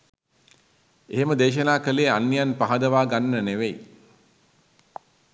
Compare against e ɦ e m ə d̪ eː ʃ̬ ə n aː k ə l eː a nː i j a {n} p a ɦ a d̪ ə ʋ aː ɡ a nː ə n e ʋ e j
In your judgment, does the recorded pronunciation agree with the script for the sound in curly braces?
yes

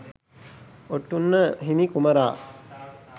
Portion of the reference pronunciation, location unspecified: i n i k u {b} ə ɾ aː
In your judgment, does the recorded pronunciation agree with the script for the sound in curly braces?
no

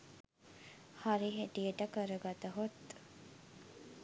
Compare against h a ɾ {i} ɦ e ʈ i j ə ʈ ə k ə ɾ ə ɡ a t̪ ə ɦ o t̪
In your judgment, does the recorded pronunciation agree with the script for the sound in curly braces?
yes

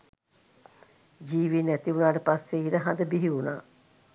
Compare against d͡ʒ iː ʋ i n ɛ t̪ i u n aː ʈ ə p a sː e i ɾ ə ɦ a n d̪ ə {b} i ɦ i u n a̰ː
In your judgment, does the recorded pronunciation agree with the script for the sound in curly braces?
yes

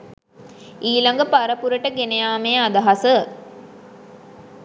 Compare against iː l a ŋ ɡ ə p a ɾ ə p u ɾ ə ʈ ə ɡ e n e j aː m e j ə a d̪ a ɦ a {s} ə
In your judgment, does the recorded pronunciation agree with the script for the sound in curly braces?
yes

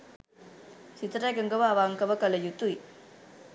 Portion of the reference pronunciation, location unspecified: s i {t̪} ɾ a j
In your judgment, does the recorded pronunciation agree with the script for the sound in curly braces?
yes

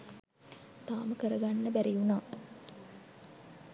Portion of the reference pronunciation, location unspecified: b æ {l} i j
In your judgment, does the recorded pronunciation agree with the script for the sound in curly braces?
no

